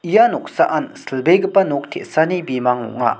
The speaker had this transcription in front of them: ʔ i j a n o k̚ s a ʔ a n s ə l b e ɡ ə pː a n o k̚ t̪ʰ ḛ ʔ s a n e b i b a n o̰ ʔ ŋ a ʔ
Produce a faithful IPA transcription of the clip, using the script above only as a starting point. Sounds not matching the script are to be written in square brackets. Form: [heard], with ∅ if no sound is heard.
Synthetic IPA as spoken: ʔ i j a n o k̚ s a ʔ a n s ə l b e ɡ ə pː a n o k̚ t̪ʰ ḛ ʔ s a n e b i [m] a [ŋ] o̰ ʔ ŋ a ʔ